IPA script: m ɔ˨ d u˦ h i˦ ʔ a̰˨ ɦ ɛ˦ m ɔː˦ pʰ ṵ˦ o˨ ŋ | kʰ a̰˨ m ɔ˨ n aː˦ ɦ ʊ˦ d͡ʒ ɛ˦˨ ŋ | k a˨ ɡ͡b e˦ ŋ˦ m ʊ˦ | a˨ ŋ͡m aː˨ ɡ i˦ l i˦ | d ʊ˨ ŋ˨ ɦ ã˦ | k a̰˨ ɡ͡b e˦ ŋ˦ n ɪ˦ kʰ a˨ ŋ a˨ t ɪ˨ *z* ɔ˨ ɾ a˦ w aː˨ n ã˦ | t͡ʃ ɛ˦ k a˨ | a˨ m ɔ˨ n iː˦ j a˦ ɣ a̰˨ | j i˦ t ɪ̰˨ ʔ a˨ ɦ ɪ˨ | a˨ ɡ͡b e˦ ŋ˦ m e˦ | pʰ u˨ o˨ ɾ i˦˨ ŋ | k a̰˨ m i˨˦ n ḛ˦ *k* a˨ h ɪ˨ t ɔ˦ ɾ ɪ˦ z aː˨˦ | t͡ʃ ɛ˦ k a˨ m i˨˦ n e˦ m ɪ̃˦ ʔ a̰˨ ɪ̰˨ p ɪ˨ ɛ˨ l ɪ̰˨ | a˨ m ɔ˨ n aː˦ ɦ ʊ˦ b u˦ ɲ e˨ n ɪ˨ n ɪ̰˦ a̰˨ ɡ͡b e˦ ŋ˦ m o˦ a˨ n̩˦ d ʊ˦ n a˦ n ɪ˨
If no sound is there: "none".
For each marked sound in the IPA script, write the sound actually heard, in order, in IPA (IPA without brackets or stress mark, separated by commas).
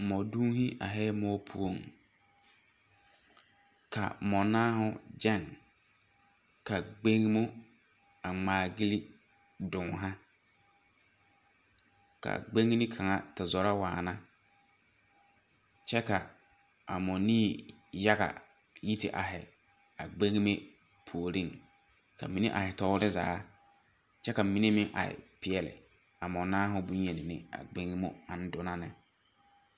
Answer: z, ʔ